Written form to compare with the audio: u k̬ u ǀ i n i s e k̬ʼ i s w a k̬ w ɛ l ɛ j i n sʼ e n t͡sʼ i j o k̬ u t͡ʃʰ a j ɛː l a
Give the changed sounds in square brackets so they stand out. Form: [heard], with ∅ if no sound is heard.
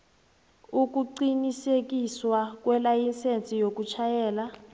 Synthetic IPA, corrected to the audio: u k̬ u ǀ i n i s e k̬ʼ i s w a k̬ w ɛ l [a] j i n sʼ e n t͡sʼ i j o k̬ u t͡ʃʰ a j ɛː l a